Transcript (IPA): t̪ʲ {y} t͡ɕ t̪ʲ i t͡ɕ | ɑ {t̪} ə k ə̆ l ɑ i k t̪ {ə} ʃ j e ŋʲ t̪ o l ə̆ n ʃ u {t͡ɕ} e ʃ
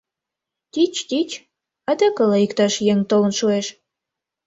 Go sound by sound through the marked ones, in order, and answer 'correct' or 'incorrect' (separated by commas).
incorrect, incorrect, incorrect, incorrect